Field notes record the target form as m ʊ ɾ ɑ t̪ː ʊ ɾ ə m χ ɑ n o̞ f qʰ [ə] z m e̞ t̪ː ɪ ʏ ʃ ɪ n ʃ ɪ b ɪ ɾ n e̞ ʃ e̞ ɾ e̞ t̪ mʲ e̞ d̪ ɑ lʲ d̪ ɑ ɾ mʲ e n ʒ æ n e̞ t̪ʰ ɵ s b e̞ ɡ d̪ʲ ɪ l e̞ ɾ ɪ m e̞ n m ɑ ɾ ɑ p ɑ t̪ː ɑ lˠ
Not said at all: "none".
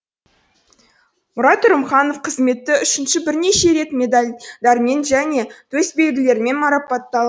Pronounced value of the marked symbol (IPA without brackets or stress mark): ə